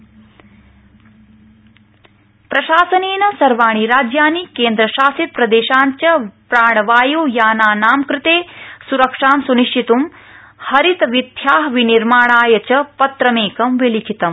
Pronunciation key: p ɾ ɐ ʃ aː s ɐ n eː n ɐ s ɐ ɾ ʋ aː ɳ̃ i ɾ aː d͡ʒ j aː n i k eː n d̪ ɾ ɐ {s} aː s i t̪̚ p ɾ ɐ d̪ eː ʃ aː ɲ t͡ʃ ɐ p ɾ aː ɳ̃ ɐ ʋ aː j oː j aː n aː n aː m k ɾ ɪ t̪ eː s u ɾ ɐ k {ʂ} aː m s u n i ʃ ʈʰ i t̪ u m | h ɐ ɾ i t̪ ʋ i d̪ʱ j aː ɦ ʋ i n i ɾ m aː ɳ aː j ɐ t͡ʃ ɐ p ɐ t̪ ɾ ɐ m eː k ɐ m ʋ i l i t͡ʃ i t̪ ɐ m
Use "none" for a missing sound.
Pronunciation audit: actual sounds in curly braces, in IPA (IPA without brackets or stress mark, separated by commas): ʃ, ʂ